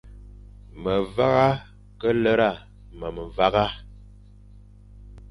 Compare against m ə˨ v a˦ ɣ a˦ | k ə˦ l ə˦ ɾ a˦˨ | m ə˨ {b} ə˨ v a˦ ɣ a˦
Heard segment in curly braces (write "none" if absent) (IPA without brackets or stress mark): m